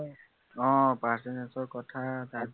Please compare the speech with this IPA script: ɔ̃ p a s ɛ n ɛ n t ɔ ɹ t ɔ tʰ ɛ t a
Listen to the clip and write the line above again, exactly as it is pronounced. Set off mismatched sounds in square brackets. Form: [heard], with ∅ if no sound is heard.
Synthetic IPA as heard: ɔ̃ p a s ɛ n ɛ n [s] ɔ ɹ [k] ɔ tʰ [a] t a